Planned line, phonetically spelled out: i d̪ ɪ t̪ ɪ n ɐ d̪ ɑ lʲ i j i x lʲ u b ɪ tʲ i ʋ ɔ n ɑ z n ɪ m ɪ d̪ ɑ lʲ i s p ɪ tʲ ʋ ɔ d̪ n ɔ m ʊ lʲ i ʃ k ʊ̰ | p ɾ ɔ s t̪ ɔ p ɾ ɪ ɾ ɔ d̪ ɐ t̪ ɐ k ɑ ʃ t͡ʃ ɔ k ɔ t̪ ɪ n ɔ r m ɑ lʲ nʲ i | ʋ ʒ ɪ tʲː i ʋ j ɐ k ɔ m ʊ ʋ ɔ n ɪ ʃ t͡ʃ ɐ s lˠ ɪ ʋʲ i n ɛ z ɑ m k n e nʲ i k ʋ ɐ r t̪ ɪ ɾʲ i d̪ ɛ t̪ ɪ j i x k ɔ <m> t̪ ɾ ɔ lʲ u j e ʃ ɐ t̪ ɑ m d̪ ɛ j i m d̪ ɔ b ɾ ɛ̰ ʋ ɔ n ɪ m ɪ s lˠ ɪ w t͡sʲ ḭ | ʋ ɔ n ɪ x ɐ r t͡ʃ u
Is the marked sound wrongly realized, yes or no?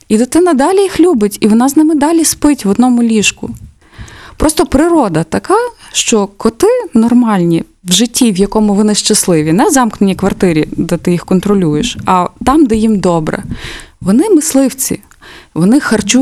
yes